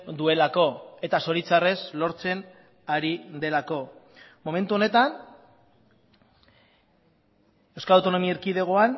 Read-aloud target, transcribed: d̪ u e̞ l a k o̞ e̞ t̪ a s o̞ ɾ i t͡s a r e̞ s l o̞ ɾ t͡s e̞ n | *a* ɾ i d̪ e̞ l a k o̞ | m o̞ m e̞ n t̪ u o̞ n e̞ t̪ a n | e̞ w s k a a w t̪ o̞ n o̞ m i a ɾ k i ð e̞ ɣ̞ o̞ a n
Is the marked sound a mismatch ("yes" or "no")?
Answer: no